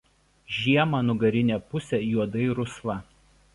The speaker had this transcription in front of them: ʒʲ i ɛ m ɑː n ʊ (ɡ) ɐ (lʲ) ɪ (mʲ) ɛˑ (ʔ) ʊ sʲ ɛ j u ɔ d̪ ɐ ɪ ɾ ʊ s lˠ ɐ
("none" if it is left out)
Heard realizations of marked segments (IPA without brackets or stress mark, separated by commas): ɡ, ɾʲ, nʲ, p